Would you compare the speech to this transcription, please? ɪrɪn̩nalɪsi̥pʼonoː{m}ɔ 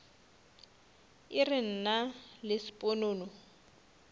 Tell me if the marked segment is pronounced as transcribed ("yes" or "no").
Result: no